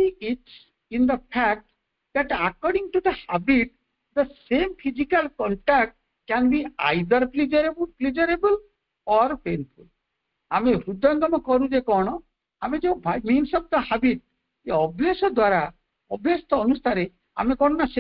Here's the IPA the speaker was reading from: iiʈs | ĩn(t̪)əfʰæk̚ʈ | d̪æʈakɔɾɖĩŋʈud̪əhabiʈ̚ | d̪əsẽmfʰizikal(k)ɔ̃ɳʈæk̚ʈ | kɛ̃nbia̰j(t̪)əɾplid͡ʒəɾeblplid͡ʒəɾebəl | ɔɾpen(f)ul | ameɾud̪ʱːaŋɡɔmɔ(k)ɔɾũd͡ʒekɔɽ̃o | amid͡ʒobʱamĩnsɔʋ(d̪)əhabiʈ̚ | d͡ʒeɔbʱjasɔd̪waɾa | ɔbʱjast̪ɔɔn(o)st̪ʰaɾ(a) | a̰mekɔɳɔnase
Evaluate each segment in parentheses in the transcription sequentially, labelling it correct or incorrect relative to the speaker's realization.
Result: incorrect, correct, incorrect, correct, correct, correct, incorrect, incorrect

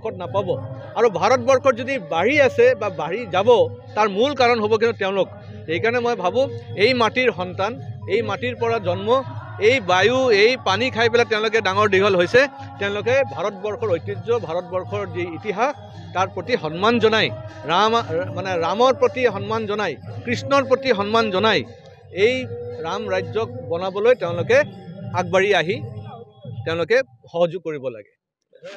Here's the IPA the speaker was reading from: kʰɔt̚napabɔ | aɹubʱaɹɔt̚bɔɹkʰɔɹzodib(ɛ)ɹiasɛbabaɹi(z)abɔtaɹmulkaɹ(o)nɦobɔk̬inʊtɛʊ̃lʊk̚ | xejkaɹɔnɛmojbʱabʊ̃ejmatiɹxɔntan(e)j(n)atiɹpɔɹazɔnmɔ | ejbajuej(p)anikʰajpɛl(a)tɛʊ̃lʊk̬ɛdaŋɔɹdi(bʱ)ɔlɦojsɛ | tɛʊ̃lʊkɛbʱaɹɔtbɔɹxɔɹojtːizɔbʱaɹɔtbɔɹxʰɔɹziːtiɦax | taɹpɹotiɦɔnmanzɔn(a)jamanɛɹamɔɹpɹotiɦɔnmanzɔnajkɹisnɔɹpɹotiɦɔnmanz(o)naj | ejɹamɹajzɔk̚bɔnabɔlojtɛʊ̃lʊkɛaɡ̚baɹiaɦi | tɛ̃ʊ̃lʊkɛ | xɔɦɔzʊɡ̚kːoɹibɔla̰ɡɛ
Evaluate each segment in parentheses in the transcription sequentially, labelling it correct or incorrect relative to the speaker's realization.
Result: incorrect, correct, incorrect, correct, incorrect, correct, correct, incorrect, correct, incorrect

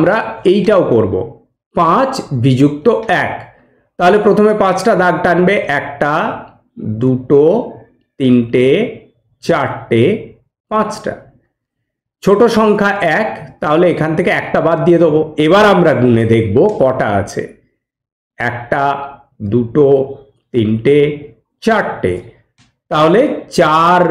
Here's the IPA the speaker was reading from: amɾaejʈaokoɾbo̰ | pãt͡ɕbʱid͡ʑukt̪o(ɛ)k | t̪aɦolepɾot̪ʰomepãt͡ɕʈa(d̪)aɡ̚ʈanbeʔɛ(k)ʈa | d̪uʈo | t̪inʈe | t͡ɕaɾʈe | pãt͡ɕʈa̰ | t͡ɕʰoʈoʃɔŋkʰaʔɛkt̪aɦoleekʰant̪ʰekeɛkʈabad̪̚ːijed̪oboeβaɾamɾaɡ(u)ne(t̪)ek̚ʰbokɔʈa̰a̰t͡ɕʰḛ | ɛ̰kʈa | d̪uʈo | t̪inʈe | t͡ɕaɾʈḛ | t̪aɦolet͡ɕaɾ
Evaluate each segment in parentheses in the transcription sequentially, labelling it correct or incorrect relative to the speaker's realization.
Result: correct, correct, correct, correct, incorrect

